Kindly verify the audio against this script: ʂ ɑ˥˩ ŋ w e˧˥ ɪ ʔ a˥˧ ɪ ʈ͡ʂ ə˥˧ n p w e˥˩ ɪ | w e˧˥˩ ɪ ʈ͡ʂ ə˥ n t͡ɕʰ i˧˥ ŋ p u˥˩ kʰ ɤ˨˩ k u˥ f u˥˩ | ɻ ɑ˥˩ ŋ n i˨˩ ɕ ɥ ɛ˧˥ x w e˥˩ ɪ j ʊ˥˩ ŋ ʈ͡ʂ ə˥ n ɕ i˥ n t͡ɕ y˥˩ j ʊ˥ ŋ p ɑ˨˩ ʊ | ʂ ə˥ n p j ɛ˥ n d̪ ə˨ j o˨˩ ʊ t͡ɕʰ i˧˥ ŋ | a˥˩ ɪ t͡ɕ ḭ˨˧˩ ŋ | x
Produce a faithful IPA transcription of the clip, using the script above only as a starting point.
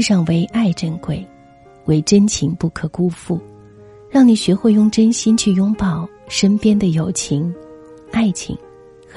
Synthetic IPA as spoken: ʂ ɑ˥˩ ŋ w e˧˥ ɪ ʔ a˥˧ ɪ ʈ͡ʂ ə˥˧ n k w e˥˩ ɪ | w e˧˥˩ ɪ ʈ͡ʂ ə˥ n t͡ɕʰ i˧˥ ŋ p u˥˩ kʰ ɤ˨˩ k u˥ f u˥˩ | ɻ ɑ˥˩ ŋ n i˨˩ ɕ ɥ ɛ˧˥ x w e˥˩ ɪ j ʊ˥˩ ŋ ʈ͡ʂ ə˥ n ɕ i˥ n t͡ɕʰ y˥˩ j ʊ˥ ŋ p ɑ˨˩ ʊ | ʂ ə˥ n p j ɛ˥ n d̪ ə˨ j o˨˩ ʊ t͡ɕʰ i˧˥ ŋ | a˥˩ ɪ t͡ɕʰ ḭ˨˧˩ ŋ | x